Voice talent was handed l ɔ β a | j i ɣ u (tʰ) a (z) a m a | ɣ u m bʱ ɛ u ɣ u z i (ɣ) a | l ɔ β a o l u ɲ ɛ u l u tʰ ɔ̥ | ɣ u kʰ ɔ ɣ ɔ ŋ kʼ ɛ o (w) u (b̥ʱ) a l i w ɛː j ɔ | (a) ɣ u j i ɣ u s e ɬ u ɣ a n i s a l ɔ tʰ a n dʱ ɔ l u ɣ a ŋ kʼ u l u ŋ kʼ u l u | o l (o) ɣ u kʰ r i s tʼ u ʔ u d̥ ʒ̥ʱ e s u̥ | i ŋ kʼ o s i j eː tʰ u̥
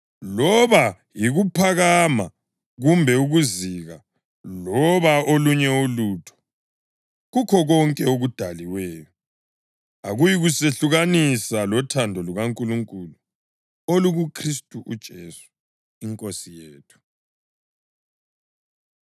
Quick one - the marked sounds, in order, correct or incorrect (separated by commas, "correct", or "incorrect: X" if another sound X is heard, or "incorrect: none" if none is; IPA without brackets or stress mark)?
incorrect: pʰ, incorrect: ɣ, correct, incorrect: ɣ, incorrect: d̥ʱ, correct, incorrect: u